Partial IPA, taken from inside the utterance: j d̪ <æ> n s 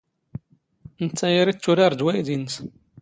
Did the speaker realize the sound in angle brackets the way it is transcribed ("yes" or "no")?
no